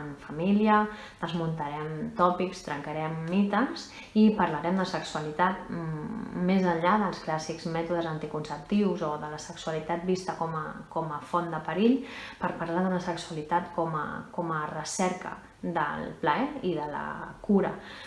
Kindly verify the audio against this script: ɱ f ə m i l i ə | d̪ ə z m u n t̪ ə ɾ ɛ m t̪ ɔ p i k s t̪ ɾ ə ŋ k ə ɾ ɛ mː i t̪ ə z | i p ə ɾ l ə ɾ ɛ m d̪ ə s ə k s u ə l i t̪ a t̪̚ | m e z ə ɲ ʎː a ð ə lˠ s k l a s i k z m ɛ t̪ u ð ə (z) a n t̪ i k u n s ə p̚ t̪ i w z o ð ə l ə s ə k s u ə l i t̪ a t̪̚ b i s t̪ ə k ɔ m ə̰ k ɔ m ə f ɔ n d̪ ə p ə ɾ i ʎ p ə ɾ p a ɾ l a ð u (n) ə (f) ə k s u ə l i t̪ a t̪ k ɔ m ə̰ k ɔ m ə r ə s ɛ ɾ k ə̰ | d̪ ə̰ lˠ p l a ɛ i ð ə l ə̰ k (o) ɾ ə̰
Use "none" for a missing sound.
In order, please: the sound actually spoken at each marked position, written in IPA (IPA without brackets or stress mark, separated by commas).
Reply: z, n, s, u